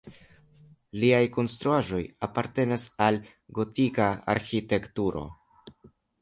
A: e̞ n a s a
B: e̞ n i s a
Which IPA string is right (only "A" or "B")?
A